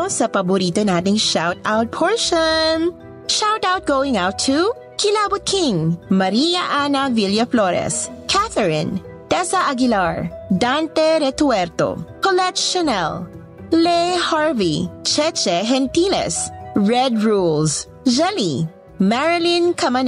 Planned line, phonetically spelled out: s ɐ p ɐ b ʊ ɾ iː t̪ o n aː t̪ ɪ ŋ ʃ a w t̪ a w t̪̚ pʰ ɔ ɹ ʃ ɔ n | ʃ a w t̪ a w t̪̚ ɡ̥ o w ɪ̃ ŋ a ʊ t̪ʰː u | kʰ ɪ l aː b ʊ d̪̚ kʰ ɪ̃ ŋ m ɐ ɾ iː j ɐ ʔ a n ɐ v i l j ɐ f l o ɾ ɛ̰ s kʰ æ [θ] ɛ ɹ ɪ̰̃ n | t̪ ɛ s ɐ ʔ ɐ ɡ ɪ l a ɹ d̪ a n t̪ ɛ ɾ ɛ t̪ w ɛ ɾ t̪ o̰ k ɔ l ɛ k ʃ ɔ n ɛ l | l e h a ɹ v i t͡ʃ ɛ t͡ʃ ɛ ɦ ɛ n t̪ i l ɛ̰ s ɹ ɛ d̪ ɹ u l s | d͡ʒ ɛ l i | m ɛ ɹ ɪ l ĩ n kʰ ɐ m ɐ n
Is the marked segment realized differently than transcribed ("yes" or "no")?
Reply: no